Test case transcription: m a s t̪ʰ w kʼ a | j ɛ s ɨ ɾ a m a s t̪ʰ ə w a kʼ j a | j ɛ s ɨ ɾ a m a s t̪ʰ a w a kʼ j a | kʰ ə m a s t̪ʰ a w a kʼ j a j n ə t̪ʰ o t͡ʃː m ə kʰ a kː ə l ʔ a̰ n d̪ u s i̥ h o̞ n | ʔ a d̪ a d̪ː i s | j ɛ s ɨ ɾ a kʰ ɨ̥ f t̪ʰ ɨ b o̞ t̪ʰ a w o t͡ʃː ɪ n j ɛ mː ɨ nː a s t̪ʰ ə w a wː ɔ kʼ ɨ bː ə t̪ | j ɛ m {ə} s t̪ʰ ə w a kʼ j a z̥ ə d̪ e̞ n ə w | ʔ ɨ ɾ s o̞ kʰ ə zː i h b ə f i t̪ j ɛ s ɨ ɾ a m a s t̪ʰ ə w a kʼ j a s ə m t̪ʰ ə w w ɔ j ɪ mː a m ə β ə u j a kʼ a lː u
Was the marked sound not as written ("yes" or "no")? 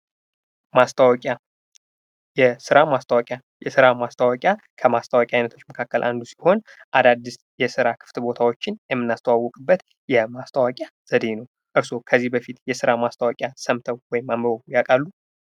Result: yes